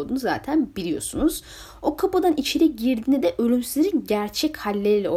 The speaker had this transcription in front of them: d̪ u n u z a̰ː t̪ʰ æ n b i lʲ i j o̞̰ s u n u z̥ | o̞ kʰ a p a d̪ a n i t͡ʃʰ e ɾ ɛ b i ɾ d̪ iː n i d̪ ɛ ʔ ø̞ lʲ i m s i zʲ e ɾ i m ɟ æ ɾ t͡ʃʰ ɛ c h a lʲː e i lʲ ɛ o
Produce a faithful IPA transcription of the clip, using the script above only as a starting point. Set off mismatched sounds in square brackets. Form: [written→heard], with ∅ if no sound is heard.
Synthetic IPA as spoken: d̪ u n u z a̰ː t̪ʰ æ n b i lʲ i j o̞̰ s u n u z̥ | o̞ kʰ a p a d̪ a n i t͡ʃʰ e ɾ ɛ [b→ɟ] i ɾ d̪ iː n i d̪ ɛ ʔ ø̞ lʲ [i→y] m s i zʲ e ɾ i [m→n] ɟ æ ɾ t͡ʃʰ ɛ c h a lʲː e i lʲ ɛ o